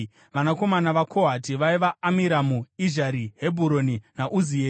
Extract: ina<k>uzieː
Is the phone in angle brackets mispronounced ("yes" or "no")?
yes